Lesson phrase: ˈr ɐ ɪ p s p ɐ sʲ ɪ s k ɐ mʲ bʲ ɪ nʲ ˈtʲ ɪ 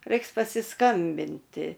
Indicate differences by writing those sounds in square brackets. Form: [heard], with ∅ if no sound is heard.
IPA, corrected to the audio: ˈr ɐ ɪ [k] s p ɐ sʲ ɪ s k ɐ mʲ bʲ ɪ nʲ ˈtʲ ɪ